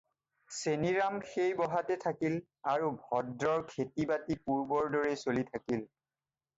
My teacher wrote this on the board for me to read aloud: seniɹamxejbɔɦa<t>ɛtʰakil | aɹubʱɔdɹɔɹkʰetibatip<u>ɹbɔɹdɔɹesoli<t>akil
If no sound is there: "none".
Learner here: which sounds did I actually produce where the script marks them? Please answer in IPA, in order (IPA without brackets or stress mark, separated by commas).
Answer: t, u, tʰ